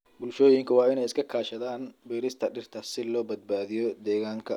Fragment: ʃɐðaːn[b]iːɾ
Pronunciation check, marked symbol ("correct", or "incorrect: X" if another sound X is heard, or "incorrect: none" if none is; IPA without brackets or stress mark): correct